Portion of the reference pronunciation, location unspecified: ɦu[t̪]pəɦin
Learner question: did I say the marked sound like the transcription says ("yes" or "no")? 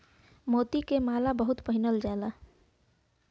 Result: yes